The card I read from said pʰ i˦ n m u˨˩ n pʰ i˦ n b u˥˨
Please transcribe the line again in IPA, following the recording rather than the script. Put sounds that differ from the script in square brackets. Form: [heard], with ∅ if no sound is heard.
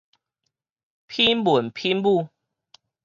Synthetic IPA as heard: pʰ i˦ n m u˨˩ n pʰ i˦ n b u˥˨